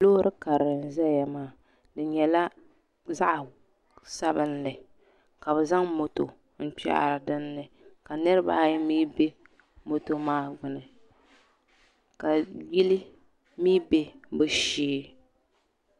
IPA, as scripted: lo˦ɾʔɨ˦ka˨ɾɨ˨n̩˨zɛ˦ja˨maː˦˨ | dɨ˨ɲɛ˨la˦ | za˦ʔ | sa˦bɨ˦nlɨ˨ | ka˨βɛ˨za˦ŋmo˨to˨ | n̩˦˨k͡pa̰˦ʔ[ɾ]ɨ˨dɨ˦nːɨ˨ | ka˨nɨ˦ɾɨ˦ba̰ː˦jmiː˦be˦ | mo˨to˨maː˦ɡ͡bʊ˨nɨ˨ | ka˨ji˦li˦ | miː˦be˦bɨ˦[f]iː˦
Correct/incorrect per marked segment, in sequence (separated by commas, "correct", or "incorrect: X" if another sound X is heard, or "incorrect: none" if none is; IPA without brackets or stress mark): correct, incorrect: ʃ